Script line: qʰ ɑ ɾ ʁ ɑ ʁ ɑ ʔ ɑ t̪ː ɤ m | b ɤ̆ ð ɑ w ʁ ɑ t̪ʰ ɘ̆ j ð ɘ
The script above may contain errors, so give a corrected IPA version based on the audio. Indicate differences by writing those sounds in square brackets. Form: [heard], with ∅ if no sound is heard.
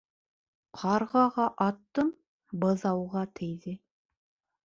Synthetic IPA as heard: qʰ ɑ ɾ ʁ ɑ ʁ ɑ ʔ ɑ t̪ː ɤ m | b ɤ̆ ð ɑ w ʁ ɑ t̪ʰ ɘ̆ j ð ɘ